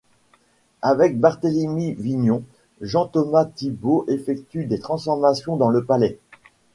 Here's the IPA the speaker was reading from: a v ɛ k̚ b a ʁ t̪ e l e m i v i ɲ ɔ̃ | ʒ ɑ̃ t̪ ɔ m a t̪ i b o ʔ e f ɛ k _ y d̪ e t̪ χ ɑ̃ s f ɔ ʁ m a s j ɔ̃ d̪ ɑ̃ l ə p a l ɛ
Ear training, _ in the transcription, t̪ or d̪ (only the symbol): t̪